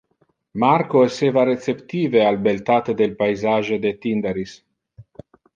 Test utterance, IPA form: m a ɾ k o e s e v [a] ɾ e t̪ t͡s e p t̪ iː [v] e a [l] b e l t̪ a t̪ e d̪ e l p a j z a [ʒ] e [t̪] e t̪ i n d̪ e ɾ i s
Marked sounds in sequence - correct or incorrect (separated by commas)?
correct, correct, correct, correct, incorrect